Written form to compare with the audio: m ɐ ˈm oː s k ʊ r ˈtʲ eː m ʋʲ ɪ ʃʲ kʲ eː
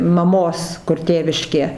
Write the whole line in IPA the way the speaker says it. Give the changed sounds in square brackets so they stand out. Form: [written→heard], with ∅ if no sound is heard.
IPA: m ɐ ˈm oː s k ʊ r ˈtʲ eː [m→∅] ʋʲ ɪ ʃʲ kʲ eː